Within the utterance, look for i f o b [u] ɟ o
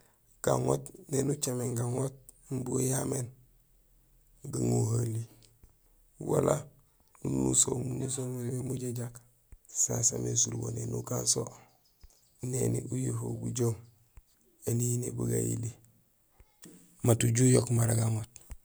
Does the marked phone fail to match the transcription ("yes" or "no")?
no